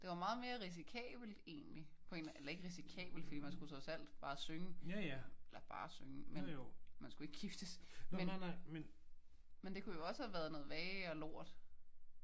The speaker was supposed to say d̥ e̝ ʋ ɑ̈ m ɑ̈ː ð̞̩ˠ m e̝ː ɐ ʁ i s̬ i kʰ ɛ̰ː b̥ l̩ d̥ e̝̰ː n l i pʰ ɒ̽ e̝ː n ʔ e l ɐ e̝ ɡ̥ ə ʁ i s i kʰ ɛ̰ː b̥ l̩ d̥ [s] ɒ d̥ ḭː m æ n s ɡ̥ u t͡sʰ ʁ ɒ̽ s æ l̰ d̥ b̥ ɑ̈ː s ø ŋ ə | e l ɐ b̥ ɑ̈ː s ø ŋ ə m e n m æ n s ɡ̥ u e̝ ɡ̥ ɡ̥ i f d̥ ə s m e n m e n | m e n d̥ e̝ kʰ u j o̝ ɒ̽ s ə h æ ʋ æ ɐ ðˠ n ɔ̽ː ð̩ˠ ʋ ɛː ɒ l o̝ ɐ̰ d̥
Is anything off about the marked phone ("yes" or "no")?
yes